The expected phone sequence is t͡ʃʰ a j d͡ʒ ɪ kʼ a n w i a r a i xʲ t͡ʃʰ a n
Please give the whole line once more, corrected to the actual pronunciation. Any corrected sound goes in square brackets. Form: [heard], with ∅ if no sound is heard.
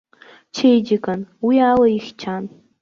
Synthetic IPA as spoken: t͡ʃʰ [e] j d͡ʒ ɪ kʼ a n w i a [l] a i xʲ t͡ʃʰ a n